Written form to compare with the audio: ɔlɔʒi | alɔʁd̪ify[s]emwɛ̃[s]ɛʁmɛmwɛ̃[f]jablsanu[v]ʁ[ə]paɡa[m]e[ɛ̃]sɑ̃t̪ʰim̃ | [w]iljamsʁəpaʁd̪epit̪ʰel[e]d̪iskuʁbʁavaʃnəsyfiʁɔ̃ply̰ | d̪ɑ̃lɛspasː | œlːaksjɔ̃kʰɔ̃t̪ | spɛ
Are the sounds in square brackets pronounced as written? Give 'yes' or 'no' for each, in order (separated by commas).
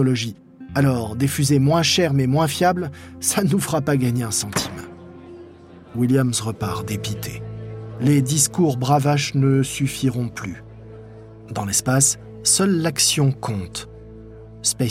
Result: no, no, yes, no, no, no, yes, yes, yes